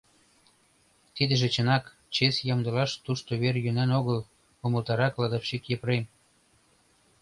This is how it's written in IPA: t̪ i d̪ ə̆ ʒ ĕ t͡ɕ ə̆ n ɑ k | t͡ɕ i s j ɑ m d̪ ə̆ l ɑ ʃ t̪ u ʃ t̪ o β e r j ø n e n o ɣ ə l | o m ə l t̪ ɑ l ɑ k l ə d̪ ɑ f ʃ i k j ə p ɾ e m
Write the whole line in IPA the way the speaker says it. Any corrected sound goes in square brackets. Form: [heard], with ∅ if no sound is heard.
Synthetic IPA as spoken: t̪ i d̪ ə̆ ʒ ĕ t͡ɕ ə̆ n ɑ k | t͡ɕ [e] s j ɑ m d̪ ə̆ l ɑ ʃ t̪ u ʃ t̪ o β e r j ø n [æ] n o ɣ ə l | o m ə l t̪ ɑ [ɾ] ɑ k l [ɑ] d̪ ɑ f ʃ i k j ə p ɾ e m